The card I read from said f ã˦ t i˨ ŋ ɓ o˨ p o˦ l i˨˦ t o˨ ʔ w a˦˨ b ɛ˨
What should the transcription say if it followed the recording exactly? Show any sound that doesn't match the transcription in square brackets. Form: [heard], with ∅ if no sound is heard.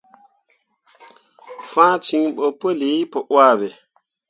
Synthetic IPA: f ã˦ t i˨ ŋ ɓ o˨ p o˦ l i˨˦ [p] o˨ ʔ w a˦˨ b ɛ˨